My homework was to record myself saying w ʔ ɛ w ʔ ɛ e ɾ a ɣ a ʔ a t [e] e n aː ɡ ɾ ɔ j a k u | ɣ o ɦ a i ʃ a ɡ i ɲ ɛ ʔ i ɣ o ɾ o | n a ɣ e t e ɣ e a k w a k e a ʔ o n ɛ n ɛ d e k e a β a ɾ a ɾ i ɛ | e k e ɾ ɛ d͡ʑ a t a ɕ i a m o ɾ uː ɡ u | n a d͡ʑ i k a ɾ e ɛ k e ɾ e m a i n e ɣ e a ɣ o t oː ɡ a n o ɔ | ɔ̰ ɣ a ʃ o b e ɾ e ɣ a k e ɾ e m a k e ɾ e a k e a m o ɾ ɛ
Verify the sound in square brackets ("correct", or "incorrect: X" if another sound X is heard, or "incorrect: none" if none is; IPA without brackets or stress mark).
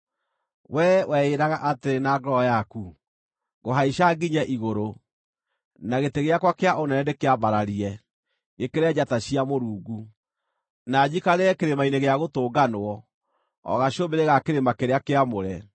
correct